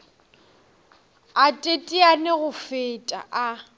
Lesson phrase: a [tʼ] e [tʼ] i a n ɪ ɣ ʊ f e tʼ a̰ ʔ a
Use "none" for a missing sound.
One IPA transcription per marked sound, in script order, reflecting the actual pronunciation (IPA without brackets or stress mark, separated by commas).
tʼ, tʼ